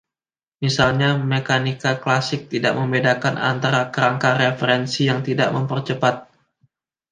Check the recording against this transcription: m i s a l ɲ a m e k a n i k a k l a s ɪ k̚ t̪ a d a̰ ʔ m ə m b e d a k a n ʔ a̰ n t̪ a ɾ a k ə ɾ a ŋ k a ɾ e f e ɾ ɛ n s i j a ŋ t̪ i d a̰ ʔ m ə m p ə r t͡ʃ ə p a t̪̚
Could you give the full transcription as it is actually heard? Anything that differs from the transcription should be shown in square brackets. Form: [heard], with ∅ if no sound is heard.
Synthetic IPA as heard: m i s a l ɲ a m e k a n i k a k l a s ɪ k̚ t̪ [i] d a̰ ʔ m ə m b e d a k a n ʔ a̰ n t̪ a ɾ a k ə ɾ a ŋ k a ɾ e f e ɾ ɛ n s i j a ŋ t̪ i d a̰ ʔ m ə m p ə r t͡ʃ ə p a t̪̚